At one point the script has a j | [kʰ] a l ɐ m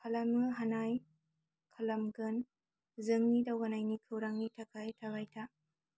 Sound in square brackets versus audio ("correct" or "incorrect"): correct